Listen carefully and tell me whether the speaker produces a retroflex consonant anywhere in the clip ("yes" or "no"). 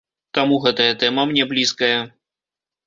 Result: no